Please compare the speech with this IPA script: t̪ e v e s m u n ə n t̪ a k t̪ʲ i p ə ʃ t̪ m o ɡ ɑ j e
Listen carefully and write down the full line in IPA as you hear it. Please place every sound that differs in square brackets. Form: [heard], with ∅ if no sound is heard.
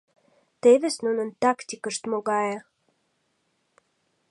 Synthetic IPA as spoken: t̪ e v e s [n] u n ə n t̪ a k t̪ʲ i [k] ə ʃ t̪ m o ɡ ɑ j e

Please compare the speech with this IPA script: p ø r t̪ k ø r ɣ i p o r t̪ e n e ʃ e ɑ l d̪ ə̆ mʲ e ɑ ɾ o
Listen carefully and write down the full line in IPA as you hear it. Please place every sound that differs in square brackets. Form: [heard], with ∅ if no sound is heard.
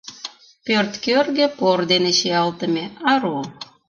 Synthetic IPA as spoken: p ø r t̪ k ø r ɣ [e] p o r [d̪] e n e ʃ e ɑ l [t̪] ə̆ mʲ e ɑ ɾ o

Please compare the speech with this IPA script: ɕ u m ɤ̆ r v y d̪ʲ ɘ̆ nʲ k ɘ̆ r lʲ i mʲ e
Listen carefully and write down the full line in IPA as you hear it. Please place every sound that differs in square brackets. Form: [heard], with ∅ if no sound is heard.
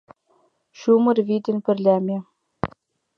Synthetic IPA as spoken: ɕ u m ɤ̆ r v [i] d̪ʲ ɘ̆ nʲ [p] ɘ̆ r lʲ [æ] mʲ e

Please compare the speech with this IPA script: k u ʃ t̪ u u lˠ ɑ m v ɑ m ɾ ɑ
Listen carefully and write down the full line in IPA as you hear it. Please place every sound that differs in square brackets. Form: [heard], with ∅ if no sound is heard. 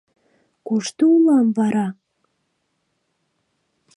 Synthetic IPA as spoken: k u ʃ t̪ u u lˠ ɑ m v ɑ [∅] ɾ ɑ

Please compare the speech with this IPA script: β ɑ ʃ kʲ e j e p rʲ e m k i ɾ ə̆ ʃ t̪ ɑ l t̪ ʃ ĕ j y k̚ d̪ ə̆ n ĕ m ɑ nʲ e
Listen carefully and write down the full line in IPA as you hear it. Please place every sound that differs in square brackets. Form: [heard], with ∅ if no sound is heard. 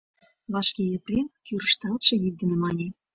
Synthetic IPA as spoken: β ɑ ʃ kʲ e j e p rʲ e m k [y] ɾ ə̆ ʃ t̪ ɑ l t̪ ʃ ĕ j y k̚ d̪ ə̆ n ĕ m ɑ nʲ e

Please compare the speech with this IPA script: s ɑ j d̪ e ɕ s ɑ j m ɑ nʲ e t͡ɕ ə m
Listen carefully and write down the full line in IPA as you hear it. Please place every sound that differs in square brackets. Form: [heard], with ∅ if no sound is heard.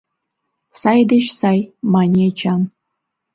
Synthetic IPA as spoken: s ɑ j d̪ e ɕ s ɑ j m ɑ nʲ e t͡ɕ [ɑ] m

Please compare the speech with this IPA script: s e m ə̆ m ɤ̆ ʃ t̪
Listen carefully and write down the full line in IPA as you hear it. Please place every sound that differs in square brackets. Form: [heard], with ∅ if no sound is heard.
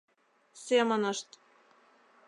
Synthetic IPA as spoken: s e m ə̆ [n] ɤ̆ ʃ t̪

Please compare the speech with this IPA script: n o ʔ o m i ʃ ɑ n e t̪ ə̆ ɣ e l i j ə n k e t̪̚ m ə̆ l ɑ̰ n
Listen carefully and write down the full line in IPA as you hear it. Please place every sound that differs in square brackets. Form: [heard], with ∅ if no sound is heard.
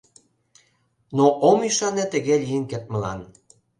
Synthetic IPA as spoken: n o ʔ o m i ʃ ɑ n e t̪ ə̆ ɣ e l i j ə n k e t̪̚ m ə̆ l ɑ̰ n

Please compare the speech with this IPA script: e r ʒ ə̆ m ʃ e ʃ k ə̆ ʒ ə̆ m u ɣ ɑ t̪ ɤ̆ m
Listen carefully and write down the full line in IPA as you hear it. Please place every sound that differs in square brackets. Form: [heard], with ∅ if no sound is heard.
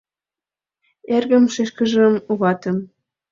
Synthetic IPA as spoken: e r [ɣ] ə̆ m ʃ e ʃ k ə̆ ʒ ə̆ m u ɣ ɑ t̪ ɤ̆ m

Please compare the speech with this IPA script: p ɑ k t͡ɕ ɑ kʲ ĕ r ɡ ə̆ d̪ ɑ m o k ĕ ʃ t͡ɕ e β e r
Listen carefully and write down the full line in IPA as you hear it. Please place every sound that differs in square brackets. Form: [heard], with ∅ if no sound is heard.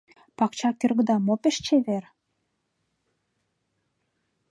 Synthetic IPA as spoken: p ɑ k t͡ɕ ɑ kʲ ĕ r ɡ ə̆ d̪ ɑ m o [p] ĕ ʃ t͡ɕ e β e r

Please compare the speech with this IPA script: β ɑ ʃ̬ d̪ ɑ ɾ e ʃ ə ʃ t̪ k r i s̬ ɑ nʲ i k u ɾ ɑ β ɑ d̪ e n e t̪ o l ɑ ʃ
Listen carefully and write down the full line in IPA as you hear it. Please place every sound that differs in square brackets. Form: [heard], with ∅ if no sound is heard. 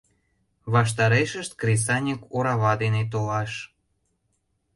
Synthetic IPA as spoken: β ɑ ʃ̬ [t̪] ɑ ɾ e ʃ ə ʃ t̪ k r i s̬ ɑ nʲ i k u ɾ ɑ β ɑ d̪ e n e t̪ o l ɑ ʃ

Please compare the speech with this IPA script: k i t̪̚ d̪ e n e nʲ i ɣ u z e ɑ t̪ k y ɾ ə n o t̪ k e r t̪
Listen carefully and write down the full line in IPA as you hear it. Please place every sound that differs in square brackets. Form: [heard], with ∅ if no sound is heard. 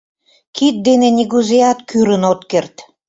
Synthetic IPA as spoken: k i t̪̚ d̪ e n e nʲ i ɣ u z e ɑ t̪ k y ɾ ə n o t̪ k e r t̪

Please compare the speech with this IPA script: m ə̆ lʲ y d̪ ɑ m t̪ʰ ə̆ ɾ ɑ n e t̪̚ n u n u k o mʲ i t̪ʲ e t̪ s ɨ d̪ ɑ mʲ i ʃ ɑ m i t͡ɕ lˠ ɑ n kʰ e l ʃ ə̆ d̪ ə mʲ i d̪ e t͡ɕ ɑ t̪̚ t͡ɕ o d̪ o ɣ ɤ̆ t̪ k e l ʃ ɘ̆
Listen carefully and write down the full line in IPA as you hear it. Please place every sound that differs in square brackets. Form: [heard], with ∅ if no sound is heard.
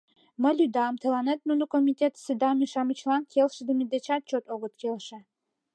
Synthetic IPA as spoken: m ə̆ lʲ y d̪ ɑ m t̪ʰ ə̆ [l] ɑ n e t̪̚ n u n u k o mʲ i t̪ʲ e t̪ s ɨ d̪ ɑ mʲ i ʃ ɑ m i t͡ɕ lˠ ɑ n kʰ e l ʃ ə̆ d̪ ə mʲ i d̪ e t͡ɕ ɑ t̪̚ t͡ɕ o [t̪] o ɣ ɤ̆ t̪ k e l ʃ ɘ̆

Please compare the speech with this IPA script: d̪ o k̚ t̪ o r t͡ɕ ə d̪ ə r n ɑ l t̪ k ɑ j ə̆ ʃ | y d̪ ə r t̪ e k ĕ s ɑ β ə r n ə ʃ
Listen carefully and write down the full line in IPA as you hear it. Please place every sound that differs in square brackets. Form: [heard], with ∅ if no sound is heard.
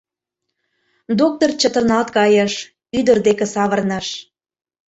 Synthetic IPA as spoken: d̪ o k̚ t̪ o r t͡ɕ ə [t̪] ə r n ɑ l t̪ k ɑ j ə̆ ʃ | y d̪ ə r [d̪] e k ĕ s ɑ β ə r n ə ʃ

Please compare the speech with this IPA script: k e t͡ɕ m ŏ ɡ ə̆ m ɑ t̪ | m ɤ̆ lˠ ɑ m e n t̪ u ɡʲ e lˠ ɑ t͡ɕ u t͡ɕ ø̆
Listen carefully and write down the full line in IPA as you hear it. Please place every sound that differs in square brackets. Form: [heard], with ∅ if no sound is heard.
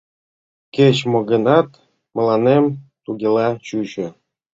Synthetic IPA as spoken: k e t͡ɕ m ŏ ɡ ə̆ [n] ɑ t̪ | m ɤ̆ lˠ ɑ [n] e [m] t̪ u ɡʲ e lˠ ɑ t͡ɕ u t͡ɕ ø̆

